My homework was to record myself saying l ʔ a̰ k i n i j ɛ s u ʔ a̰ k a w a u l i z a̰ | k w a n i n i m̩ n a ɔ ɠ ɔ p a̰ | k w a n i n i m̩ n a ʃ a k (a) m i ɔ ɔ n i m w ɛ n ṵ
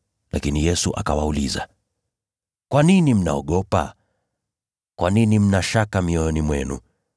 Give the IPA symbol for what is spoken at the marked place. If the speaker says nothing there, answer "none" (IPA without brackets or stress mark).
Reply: a